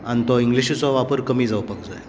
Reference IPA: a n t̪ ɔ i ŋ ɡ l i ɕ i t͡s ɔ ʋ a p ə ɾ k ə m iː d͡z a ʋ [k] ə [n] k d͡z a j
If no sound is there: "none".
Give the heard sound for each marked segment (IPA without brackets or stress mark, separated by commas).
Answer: p, none